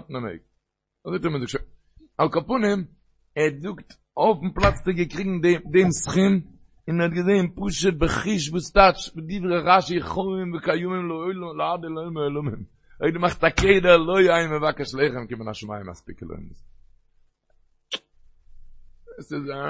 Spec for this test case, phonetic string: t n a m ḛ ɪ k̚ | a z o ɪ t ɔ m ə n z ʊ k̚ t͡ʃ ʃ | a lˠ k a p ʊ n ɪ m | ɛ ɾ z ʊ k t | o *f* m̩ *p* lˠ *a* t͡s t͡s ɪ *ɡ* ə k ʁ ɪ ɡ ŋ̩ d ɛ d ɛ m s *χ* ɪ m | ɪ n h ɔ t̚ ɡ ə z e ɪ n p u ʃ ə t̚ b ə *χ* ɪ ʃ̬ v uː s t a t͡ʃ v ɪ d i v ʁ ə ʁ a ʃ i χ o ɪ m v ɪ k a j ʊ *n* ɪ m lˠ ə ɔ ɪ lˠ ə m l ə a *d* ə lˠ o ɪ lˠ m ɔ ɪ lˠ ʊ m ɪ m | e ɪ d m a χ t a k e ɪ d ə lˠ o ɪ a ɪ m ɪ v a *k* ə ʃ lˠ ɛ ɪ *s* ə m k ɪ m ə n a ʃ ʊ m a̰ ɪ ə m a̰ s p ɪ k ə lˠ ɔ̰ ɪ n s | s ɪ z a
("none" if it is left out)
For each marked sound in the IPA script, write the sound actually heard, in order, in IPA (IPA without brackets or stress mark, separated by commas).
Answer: f, p, a, ɡ, χ, χ, m, d, k, χ